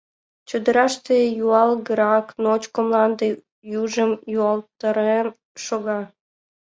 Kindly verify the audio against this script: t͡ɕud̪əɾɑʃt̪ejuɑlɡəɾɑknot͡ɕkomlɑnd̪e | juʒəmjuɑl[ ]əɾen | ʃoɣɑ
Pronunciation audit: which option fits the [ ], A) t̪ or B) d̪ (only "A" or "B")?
A